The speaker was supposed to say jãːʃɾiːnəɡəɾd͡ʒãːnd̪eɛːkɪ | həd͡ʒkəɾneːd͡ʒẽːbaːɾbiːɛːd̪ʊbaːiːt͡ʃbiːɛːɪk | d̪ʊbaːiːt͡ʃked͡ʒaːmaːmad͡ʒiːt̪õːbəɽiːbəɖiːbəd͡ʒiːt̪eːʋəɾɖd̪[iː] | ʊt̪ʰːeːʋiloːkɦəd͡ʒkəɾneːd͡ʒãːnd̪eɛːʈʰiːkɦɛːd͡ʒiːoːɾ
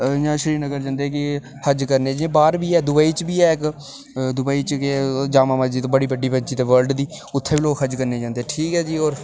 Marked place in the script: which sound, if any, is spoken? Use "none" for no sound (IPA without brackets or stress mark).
iː